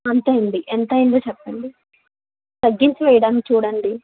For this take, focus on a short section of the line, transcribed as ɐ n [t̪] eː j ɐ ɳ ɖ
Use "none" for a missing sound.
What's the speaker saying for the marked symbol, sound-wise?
t̪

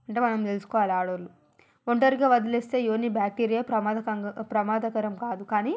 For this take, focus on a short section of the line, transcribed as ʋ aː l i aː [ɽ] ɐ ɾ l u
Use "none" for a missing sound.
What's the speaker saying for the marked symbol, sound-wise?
ɽ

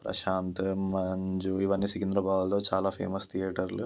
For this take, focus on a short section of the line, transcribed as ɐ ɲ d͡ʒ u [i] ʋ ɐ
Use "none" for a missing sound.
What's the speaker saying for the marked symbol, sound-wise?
i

